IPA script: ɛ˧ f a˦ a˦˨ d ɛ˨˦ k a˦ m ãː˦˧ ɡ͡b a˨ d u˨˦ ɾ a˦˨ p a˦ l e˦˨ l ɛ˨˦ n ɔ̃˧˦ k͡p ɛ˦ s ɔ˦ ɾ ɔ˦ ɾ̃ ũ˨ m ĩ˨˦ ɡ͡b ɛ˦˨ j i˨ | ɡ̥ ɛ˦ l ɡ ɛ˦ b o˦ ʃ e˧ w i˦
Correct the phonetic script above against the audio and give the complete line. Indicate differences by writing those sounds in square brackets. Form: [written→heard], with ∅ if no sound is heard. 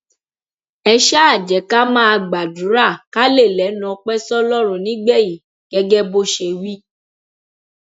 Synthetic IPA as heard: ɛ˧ [f→ʃ] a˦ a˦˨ [d→d͡ʒ] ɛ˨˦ k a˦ m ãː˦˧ ɡ͡b a˨ d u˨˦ ɾ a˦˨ [p→k] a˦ l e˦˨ l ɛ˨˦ n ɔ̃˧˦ k͡p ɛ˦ s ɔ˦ [ɾ→l] ɔ˦ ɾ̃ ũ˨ [m→n] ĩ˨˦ ɡ͡b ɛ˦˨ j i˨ | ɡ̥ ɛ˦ [l→∅] ɡ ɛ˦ b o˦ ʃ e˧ w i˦